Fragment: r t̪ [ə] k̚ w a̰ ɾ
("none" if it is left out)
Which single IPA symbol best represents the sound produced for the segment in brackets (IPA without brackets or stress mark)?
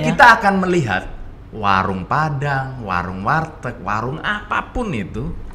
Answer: ə